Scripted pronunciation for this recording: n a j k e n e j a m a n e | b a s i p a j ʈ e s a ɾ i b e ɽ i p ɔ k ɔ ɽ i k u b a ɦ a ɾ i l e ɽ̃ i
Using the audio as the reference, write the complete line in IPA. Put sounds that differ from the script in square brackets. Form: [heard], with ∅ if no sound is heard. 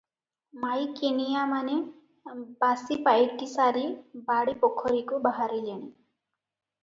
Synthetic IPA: [m] a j k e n [i] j a m a n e | b a s i p a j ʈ [i] s a ɾ i b [a] ɽ i p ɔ [kʰ] ɔ [ɾ] i k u b a ɦ a ɾ i l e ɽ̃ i